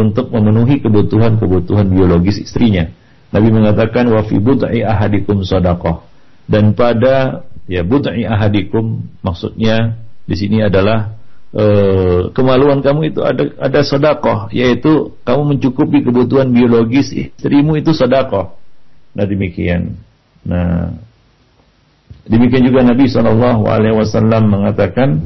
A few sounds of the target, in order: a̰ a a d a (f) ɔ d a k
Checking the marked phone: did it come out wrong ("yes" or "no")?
yes